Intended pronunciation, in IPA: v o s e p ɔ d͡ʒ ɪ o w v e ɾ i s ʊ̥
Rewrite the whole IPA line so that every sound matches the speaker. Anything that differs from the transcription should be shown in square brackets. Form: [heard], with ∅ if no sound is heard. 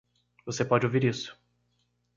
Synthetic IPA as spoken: v o s e p ɔ d͡ʒ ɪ o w v [i] ɾ i s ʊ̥